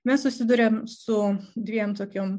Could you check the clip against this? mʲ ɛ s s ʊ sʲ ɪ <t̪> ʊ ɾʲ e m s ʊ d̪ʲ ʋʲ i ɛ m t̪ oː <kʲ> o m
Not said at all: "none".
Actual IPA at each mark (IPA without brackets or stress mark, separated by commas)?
d̪, kʲ